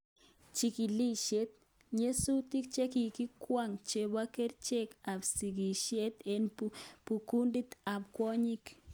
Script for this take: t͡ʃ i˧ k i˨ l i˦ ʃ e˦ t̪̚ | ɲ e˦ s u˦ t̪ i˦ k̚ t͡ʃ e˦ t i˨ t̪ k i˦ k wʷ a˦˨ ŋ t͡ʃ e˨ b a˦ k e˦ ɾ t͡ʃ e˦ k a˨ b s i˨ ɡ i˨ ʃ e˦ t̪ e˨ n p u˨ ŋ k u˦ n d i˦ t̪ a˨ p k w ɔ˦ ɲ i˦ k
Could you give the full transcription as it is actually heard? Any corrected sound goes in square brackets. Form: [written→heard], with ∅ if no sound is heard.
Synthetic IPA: t͡ʃ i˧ k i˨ l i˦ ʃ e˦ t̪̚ | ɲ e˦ s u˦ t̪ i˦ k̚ t͡ʃ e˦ [t→k] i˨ [t̪→∅] k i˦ k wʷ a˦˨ ŋ t͡ʃ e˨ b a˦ k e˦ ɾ t͡ʃ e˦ k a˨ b s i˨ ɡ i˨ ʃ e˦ t̪ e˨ n p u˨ [ŋ→∅] k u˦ n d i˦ t̪ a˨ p k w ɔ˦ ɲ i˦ k